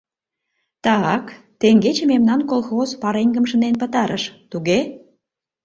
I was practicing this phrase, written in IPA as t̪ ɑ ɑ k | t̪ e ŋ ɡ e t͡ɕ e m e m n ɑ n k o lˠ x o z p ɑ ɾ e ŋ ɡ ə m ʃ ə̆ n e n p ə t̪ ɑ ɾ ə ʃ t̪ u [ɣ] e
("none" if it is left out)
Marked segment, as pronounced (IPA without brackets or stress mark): ɣ